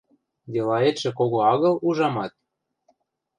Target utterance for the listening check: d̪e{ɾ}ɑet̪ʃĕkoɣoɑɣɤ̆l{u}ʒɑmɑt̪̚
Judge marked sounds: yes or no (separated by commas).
no, yes